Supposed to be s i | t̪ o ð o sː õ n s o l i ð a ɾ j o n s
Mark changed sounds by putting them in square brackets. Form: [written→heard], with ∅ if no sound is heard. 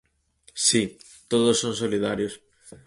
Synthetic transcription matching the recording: s i | t̪ o ð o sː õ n s o l i ð a ɾ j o [n→∅] s

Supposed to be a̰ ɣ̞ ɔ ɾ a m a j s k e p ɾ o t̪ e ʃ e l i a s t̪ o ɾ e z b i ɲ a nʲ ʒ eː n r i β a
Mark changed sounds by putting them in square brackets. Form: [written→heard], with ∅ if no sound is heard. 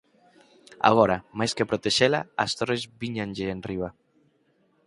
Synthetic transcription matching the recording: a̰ ɣ̞ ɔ ɾ a m a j s k e p ɾ o t̪ e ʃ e l [i→a] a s t̪ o ɾ e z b i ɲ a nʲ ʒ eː n r i β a

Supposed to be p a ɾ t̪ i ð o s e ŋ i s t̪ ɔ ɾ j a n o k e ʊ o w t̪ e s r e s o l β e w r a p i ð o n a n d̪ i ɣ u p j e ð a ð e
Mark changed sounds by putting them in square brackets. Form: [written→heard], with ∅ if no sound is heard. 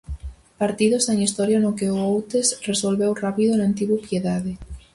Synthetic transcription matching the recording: p a ɾ t̪ i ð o s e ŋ i s t̪ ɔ ɾ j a n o k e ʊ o w t̪ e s r e s o l β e w r a p i ð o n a n [d̪→t̪] i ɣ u p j e ð a ð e

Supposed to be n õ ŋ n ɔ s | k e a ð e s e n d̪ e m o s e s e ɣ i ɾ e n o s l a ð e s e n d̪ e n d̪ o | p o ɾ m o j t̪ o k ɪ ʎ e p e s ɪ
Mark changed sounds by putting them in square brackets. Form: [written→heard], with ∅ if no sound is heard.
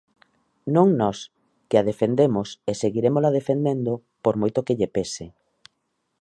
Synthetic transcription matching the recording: n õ ŋ n ɔ s | k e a ð e [s→f] e n d̪ e m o s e s e ɣ i ɾ e [n→m] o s l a ð e [s→f] e n d̪ e n d̪ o | p o ɾ m o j t̪ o k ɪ ʎ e p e s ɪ

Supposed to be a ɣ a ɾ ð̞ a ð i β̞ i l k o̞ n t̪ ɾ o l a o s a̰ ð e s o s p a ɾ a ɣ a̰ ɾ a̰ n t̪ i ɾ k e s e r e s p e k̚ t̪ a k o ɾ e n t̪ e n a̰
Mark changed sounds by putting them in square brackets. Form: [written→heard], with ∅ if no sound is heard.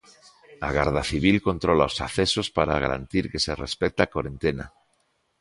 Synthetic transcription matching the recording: a ɣ a ɾ ð̞ a [ð→θ] i β̞ i l k o̞ n t̪ ɾ o l a o s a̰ [ð→θ] e s o s p a ɾ a ɣ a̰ ɾ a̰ n t̪ i ɾ k e s e r e s p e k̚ t̪ a k o ɾ e n t̪ e n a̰

